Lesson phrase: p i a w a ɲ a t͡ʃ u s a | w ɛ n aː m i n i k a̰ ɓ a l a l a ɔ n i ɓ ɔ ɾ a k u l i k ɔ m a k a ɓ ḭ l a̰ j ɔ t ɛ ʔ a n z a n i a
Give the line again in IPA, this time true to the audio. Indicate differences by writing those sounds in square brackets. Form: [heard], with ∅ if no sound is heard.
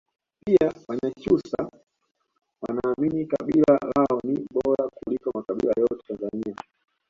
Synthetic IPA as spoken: p i a w a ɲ a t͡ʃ u s a | w [a] n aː m i n i k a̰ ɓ [i] l a l a ɔ n i ɓ ɔ ɾ a k u l i k ɔ m a k a ɓ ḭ l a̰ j ɔ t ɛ [t] a n z a n i a

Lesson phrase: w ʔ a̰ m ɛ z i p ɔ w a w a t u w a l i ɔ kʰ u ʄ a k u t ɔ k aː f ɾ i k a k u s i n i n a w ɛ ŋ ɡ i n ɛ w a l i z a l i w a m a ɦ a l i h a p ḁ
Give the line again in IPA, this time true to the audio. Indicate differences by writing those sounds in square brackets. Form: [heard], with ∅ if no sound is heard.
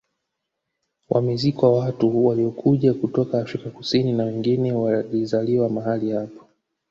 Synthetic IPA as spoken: w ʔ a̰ m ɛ z i [k] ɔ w a w a t u w a l i ɔ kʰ u ʄ a k u t ɔ k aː f ɾ i k a k u s i n i n a w ɛ ŋ ɡ i n ɛ w a l i z a l i w a m a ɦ a l i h a p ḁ

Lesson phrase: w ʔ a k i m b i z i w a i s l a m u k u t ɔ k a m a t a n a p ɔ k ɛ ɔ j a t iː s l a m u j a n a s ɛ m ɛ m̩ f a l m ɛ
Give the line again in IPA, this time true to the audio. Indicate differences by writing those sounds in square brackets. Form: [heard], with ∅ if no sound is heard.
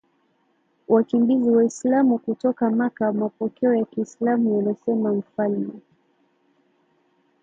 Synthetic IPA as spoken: w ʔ a k i m b i z i w a i s l a m u k u t ɔ k a m a [k] a [m] a p ɔ k ɛ ɔ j a [k] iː s l a m u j a n a s ɛ m [a] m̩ f a l m ɛ

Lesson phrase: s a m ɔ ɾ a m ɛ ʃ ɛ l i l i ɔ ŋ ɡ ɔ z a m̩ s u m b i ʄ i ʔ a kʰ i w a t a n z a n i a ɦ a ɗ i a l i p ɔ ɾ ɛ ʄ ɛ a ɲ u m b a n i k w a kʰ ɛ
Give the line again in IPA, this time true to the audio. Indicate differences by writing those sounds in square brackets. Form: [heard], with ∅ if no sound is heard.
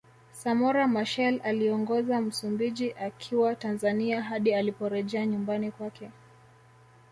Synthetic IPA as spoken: s a m ɔ ɾ a m [a] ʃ ɛ l [a] l i ɔ ŋ ɡ ɔ z a m̩ s u m b i ʄ i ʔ a kʰ i w a t a n z a n i a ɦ a ɗ i a l i p ɔ ɾ ɛ ʄ ɛ a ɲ u m b a n i k w a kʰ ɛ

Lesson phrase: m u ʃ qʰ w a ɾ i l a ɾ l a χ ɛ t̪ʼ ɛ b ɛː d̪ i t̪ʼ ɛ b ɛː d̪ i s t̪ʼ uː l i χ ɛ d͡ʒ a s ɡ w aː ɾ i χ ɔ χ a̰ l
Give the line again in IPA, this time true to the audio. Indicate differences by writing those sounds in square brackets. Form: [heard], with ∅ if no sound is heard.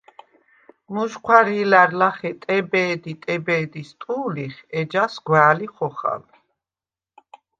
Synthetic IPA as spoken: m u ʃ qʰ w a ɾ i l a ɾ l a χ ɛ t̪ʼ ɛ b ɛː d̪ i t̪ʼ ɛ b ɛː d̪ i s t̪ʼ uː l i χ ɛ d͡ʒ a s ɡ w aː [l] i χ ɔ χ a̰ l

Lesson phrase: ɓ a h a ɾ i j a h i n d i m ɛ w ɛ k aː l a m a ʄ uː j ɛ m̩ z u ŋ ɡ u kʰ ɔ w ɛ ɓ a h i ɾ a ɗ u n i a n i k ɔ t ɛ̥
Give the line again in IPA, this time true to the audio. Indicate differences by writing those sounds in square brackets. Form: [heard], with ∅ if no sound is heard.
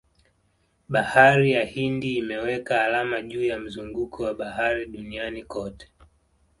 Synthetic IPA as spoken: ɓ a h a ɾ i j a h i n d [iː] m ɛ w ɛ k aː l a m a ʄ uː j [a] m̩ z u ŋ ɡ u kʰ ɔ w [a] ɓ a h [a] ɾ [i] ɗ u n i a n i k ɔ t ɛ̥

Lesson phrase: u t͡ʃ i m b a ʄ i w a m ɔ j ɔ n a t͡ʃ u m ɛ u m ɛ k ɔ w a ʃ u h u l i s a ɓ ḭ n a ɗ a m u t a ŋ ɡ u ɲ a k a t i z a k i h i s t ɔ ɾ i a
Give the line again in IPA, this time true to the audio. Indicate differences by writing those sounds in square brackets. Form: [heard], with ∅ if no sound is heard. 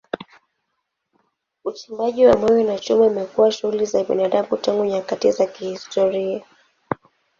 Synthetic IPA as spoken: u t͡ʃ i m b a ʄ i w a m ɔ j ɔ n a t͡ʃ u m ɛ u m ɛ k [u] w a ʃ u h u l i [z] a ɓ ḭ n a ɗ a m u t a ŋ ɡ u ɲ a k a t i z a k i h i s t ɔ ɾ i a

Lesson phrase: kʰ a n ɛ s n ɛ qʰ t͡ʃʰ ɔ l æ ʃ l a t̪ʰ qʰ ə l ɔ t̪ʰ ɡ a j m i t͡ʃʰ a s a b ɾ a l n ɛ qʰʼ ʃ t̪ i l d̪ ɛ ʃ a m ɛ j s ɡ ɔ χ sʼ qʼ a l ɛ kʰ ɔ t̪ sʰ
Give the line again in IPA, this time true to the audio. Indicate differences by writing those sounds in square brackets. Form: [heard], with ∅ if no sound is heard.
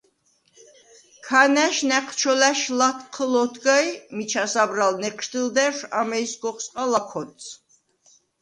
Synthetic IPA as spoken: kʰ a n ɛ [ʃ] n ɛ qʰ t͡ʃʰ ɔ l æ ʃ l a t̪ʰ qʰ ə l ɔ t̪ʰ ɡ a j m i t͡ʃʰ a s a b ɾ a l n ɛ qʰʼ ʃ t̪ i l d̪ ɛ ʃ a m ɛ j s ɡ ɔ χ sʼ qʼ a l [a] kʰ ɔ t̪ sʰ

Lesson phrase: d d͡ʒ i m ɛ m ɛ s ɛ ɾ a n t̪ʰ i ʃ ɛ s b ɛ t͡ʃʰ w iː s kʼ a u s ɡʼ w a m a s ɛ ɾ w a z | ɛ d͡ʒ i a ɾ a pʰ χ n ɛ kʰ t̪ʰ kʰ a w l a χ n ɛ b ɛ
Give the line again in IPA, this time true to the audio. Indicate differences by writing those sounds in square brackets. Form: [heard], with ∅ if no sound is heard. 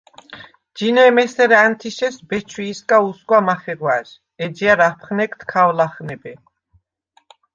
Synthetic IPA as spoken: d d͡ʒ i [n] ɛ m ɛ s ɛ ɾ a n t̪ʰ i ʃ ɛ s b ɛ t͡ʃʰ w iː s kʼ a u s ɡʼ w a m a [χ] ɛ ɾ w a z | ɛ d͡ʒ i a ɾ a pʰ χ n ɛ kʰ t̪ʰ kʰ a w l a χ n ɛ b ɛ

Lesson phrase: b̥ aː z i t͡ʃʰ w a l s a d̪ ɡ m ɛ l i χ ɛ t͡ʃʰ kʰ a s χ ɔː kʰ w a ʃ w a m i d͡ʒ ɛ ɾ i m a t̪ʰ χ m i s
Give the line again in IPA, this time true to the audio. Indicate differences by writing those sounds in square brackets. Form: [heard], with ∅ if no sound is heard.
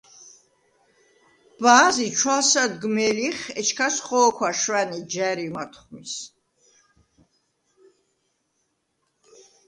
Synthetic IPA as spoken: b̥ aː z i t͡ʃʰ w a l s a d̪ ɡ m ɛ l i χ ɛ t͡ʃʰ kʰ a s χ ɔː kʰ w a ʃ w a [n] i d͡ʒ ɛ ɾ i m a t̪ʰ χ m i s

